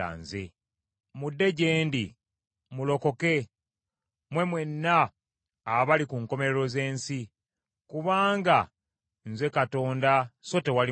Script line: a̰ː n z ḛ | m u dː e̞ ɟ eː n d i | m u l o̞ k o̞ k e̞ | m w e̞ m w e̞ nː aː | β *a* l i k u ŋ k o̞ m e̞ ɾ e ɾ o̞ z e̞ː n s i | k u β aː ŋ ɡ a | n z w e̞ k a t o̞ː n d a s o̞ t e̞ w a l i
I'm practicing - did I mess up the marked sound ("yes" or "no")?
no